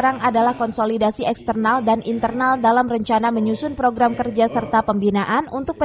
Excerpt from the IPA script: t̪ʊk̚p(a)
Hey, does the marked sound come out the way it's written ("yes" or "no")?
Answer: no